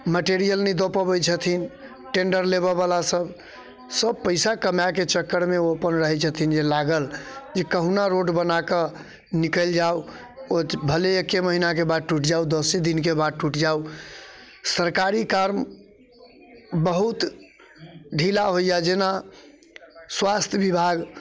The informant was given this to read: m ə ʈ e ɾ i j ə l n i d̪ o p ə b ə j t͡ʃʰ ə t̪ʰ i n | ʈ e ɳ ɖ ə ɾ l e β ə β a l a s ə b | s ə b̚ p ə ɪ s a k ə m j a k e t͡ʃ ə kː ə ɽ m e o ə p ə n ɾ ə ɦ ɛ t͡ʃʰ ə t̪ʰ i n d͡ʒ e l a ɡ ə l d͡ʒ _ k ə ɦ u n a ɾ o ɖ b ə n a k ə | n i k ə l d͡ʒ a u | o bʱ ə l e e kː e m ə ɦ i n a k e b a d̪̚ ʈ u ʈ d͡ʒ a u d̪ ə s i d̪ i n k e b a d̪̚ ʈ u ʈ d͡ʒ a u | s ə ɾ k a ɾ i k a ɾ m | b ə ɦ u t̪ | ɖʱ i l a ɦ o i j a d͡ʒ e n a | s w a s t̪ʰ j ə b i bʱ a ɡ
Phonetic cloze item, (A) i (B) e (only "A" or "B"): B